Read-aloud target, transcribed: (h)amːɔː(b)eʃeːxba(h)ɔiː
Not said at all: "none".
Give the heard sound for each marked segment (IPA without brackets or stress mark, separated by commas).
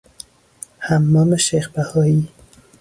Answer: h, m, h